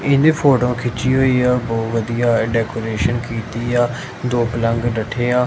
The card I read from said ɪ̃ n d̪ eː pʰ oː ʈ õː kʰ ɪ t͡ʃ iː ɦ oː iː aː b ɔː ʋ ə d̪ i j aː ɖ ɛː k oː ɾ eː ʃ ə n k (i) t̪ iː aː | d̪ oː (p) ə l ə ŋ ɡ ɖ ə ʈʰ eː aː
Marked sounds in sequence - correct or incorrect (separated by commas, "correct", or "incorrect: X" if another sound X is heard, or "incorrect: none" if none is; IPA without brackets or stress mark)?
incorrect: iː, correct